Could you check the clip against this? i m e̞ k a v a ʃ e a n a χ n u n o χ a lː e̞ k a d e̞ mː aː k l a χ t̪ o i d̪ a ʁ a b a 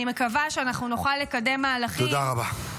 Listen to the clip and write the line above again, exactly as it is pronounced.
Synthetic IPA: i m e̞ k a v a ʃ e a n a χ n u n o χ a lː e̞ k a d e̞ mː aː l a χ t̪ o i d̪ a ʁ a b a